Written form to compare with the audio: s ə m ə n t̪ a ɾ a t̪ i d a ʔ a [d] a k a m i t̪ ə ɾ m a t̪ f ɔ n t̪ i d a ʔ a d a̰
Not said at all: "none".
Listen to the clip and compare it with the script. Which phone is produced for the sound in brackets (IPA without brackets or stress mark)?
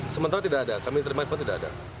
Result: d